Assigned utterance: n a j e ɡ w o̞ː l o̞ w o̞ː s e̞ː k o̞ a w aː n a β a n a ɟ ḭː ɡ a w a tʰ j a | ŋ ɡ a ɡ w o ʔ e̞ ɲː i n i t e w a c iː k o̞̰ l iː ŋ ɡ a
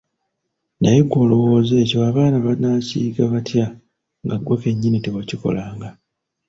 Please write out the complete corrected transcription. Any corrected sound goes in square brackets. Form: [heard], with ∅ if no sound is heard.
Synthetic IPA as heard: n a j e ɡ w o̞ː l o̞ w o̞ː [z] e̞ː [c] o̞ a [β] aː n a β a n a [c] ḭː ɡ a [β] a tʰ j a | ŋ ɡ a ɡ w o [k] e̞ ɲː i n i t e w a c [i] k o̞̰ l [aː] ŋ ɡ a